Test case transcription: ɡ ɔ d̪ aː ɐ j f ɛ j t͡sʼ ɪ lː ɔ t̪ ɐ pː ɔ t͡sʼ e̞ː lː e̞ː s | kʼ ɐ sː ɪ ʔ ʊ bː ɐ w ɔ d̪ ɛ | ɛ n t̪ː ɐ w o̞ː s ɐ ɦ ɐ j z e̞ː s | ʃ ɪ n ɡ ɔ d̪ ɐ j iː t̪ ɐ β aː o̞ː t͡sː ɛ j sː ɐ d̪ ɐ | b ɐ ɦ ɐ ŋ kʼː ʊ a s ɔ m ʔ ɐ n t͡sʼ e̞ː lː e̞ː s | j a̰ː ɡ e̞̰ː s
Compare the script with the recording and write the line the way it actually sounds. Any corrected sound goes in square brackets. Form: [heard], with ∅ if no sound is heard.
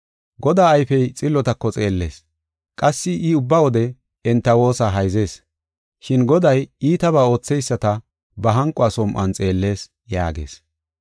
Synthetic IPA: ɡ ɔ d̪ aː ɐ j f ɛ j t͡sʼ ɪ lː ɔ t̪ ɐ [kː] ɔ t͡sʼ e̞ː lː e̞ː s | kʼ ɐ sː ɪ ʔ ʊ bː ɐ w ɔ d̪ ɛ | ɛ n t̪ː ɐ w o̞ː s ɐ ɦ ɐ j z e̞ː s | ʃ ɪ n ɡ ɔ d̪ ɐ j iː t̪ ɐ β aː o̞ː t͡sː ɛ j sː ɐ [t̪] ɐ | b ɐ ɦ ɐ ŋ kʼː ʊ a s ɔ m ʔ ɐ n t͡sʼ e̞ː lː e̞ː s | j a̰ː ɡ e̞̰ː s